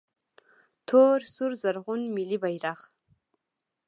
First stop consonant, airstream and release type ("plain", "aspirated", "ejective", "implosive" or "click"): aspirated